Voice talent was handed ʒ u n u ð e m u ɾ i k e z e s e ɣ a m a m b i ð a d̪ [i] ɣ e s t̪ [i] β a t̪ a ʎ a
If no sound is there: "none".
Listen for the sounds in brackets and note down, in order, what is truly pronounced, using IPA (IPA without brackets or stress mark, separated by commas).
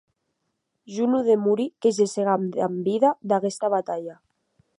a, a